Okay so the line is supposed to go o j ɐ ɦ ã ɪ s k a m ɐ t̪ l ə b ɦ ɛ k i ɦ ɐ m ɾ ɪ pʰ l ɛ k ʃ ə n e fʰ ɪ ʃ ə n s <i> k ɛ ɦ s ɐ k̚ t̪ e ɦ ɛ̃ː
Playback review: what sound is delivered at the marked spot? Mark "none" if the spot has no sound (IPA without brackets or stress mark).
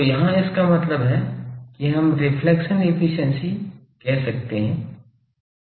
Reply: i